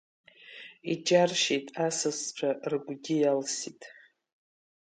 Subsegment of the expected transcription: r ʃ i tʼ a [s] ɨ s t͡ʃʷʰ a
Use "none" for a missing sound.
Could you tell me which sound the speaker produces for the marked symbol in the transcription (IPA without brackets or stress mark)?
s